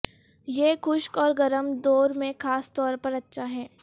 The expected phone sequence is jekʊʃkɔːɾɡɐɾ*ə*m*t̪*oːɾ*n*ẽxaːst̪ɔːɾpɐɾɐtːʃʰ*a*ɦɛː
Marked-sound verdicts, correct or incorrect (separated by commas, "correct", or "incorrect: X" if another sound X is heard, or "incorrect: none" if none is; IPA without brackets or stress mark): correct, incorrect: d̪, incorrect: m, correct